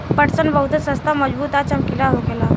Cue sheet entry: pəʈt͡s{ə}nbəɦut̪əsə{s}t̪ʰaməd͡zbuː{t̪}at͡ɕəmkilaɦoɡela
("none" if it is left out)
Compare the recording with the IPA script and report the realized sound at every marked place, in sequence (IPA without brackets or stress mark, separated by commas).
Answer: ə, s, t̪